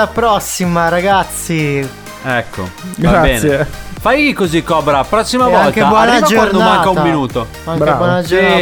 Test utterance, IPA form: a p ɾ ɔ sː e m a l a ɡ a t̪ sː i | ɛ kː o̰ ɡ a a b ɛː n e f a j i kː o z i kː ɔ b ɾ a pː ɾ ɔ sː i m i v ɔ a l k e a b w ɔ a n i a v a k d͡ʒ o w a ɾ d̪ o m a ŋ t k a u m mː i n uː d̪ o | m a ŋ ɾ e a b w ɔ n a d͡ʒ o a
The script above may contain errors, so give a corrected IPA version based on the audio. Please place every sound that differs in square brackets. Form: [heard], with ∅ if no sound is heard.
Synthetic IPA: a p ɾ ɔ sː [i] m a [ɾ] a ɡ a t̪ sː i | ɛ kː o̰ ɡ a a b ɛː n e f a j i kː o z i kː ɔ b ɾ a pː ɾ ɔ sː i m [a] v ɔ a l k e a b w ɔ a n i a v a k d͡ʒ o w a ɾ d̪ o m a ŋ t k a u m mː i n uː [t̪] o | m a ŋ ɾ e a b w ɔ n a d͡ʒ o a